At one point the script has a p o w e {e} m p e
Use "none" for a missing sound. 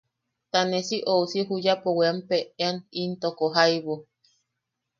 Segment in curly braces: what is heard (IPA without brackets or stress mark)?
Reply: a